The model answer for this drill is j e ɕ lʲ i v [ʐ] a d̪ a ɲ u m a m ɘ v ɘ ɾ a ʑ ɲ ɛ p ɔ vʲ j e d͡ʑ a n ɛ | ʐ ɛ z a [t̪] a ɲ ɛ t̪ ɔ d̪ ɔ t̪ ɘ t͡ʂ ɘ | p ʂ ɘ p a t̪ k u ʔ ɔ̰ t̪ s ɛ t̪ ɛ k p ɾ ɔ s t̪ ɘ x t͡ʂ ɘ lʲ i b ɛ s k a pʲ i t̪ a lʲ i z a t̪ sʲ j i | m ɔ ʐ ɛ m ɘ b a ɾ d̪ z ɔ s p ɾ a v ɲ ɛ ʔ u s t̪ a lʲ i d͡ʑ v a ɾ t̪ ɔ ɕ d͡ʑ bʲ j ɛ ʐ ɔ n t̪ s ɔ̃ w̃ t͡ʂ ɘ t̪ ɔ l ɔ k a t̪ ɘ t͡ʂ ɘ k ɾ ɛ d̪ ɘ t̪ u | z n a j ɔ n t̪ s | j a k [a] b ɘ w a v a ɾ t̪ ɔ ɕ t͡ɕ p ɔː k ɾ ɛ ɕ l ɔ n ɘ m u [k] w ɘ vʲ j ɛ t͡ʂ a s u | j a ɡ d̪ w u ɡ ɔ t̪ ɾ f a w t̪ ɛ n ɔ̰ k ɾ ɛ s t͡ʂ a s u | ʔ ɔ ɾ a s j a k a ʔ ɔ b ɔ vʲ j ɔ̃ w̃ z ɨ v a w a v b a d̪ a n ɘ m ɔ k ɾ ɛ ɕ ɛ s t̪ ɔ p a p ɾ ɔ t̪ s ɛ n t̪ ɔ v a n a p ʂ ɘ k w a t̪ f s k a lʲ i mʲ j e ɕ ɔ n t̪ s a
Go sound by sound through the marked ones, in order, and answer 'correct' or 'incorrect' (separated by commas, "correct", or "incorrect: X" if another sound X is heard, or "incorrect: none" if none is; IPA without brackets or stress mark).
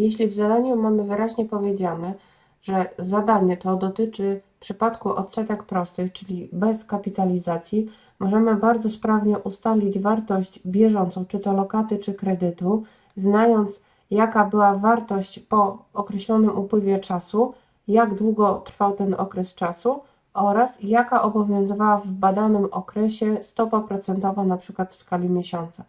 incorrect: z, incorrect: d̪, correct, incorrect: p